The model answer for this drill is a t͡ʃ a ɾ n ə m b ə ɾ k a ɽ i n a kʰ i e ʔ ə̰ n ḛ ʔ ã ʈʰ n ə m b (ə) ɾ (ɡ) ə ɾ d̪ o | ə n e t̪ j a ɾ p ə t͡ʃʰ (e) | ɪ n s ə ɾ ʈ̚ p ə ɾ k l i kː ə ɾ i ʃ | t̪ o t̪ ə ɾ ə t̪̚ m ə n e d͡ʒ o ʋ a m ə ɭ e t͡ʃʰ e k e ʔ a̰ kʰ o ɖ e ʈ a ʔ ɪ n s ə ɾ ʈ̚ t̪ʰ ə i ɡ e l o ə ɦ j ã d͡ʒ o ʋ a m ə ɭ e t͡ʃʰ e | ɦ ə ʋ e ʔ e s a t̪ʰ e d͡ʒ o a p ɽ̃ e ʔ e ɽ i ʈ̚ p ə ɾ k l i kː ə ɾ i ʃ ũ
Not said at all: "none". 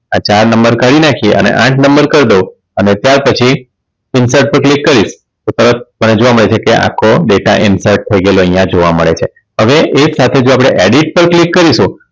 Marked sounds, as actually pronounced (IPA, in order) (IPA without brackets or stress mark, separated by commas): ə, k, i